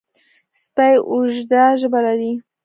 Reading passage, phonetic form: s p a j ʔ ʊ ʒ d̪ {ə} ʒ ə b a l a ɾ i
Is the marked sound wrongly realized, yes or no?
yes